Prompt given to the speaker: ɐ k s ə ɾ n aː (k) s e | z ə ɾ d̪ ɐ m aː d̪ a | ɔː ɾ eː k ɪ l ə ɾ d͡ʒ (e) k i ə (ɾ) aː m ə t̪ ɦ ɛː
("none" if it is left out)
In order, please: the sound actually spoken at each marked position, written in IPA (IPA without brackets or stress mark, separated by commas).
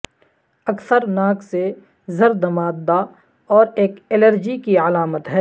k, i, l